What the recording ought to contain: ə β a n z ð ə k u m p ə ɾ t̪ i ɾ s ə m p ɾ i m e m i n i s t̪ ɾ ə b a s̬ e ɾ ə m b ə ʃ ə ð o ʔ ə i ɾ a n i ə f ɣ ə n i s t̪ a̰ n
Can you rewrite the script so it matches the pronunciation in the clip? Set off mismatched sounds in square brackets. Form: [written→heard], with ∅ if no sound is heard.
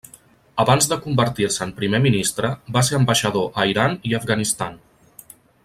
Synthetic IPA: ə β a n z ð ə k u m [p→b] ə ɾ t̪ i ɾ s ə m p ɾ i m e m i n i s t̪ ɾ ə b a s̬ e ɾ ə m b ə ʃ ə ð o ʔ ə i ɾ a n i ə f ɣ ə n i s t̪ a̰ n

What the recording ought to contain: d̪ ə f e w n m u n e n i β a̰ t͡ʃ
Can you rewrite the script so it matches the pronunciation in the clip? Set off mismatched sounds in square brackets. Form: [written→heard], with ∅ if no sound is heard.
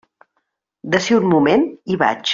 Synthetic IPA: d̪ ə [f→s] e [w→u] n m u [n→m] e n i β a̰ t͡ʃ

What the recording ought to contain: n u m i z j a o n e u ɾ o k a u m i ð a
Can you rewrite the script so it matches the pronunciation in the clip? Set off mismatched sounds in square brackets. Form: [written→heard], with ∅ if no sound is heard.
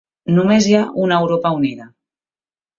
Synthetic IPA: n u m [i→e] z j a [o→u] n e [u→w] ɾ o [k→p] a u [m→n] i ð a

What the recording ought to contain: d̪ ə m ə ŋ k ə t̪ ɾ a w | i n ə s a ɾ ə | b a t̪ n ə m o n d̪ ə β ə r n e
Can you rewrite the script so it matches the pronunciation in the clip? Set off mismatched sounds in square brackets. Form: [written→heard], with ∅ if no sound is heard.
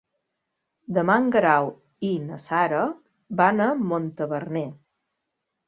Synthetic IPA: d̪ ə m [ə→a] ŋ [k→ɡ] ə [t̪→∅] ɾ a w | i n ə s a ɾ ə | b a [t̪→∅] n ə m o n [d̪→t̪] ə β ə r n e

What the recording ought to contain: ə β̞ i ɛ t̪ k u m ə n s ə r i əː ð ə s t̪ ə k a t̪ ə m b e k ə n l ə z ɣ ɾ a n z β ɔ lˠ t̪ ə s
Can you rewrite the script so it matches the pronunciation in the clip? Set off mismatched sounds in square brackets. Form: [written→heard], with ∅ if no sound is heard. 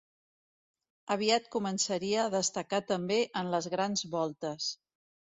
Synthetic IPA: ə β̞ i [ɛ→a] t̪ k u m ə n s ə [r→ɾ] i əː ð ə s t̪ ə k a t̪ ə m b e [k→ʔ] ə n l ə z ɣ ɾ a n z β ɔ lˠ t̪ ə s

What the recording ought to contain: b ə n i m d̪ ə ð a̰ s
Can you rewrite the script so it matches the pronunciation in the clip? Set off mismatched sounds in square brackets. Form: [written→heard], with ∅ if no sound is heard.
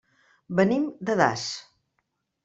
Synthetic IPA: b ə n i m d̪ ə ð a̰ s

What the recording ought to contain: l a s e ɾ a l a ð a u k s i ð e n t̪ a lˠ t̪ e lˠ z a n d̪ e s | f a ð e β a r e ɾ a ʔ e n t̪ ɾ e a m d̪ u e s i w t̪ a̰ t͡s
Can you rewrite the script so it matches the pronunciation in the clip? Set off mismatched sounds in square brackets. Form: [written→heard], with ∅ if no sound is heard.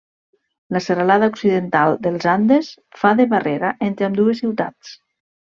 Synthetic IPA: l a s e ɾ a l a ð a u k s i ð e n t̪ a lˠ [t̪→d̪] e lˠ z a n d̪ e s | f a ð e β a r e ɾ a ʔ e n t̪ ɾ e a m d̪ u e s i w t̪ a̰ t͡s

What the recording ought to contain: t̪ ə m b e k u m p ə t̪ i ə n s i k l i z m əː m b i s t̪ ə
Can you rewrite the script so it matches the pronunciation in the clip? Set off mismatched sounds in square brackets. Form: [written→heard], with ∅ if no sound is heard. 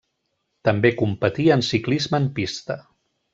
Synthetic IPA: t̪ ə m b e k u m p ə t̪ i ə n s i k l i z m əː m [b→p] i s t̪ ə

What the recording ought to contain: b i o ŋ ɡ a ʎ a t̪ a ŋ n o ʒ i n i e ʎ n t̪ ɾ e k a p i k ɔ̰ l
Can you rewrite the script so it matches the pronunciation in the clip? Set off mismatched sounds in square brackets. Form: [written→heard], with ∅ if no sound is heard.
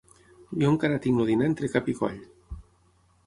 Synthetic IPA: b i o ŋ [ɡ→k] a [ʎ→ɾ] a t̪ [a→i] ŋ n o [ʒ→ð] i n [i→a] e [ʎ→∅] n t̪ ɾ e k a p i k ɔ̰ [l→ʎ]

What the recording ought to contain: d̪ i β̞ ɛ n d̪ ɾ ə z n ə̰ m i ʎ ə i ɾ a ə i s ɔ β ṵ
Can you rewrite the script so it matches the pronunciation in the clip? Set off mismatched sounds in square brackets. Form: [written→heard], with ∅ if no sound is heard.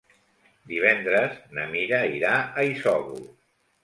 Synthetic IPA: d̪ i β̞ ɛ n d̪ ɾ ə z n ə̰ m i [ʎ→ɾ] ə i ɾ a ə i s ɔ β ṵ

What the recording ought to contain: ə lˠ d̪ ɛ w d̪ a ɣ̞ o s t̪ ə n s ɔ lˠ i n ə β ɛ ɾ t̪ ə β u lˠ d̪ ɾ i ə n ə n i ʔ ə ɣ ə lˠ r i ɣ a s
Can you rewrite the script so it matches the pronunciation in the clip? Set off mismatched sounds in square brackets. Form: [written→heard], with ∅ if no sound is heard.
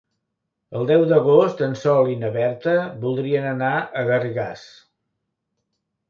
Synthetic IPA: ə lˠ d̪ ɛ w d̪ [a→ə] ɣ̞ o s t̪ ə n s ɔ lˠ i n ə β ɛ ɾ t̪ ə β u lˠ d̪ ɾ i ə n ə n [i→a] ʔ ə ɣ ə [lˠ→∅] r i ɣ a s

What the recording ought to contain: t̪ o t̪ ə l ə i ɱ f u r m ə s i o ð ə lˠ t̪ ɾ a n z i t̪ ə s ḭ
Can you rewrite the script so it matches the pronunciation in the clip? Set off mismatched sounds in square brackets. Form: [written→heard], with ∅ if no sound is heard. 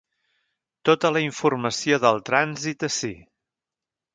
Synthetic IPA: t̪ o t̪ ə l ə i ɱ f u r m ə s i o ð ə lˠ t̪ ɾ a n z i t̪ ə s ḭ

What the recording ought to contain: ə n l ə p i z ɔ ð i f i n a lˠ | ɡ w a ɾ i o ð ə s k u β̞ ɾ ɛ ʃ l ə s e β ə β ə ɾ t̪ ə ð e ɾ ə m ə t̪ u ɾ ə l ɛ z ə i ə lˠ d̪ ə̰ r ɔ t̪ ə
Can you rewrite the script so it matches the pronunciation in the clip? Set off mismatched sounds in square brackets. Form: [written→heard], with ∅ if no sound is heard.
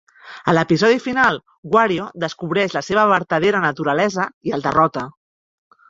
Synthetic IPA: ə [n→∅] l ə p i z ɔ ð i f i n a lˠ | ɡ w a ɾ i o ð ə s k u β̞ ɾ ɛ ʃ l ə s e β ə β ə ɾ t̪ ə ð e ɾ ə [m→n] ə t̪ u ɾ ə l ɛ z ə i ə lˠ d̪ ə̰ r ɔ t̪ ə

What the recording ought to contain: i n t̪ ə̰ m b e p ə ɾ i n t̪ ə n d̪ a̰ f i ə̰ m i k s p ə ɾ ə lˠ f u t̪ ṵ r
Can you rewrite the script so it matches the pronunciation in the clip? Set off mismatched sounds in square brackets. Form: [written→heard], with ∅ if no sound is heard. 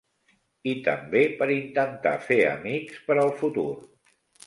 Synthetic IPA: i [n→∅] t̪ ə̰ m b e p ə ɾ i n t̪ ə n [d̪→t̪] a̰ f [i→e] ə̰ m i k s p ə ɾ ə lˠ f u t̪ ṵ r

